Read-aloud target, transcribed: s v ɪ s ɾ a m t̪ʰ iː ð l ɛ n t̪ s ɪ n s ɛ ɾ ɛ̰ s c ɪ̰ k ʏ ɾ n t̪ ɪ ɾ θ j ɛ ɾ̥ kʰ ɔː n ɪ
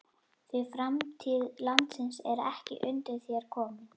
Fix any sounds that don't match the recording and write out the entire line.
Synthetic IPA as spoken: θ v ɪ f ɾ a m t̪ʰ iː ð l a n t̪ s ɪ n s ɛ ɾ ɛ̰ h c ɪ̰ ʔ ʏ n t̪ ɪ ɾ θ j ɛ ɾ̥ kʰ ɔː m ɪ

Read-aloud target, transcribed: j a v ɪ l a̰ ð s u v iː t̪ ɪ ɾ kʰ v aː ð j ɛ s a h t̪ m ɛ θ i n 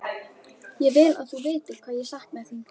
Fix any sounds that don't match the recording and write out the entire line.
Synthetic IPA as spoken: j ɛ v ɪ l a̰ ð θ u v ɪː t̪ ɪ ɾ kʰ v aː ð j ɛ s a h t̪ m ɛ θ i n

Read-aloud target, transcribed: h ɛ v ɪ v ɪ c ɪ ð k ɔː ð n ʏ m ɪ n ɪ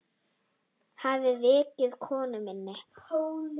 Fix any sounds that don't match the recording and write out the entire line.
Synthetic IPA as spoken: h a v ɪ v ɪː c ɪ ð kʰ ɔː n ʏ m ɪ nː ɪ

